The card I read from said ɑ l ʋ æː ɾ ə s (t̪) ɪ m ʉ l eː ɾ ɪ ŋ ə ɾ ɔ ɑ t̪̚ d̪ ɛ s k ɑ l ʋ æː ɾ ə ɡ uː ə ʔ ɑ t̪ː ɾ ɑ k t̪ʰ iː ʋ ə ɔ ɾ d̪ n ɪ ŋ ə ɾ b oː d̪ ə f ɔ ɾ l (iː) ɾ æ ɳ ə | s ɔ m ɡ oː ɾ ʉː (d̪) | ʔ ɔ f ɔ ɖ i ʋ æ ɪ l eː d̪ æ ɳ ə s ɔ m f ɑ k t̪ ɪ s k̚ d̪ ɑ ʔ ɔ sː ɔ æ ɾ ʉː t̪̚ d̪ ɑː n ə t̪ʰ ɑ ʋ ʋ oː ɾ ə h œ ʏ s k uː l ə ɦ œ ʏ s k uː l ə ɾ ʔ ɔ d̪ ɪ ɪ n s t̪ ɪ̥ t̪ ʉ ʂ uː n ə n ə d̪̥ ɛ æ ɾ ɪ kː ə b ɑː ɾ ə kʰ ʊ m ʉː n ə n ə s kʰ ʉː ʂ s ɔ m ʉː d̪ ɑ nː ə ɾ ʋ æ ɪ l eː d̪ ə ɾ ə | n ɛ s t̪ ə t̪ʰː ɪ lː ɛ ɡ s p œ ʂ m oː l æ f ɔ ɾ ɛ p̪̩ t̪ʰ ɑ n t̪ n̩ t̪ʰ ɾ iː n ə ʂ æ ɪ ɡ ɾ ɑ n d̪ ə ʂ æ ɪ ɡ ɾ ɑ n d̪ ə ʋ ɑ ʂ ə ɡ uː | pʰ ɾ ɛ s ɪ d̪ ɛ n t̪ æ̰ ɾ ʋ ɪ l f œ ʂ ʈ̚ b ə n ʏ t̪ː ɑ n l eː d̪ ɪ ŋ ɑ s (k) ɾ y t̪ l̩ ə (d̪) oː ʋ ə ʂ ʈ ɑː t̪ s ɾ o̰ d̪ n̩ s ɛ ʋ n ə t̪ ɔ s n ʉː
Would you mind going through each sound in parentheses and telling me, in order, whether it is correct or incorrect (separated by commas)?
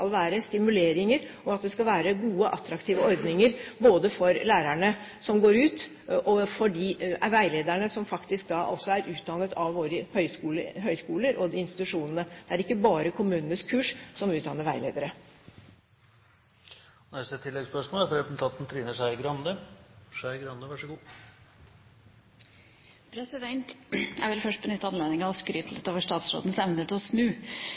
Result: correct, incorrect, incorrect, correct, incorrect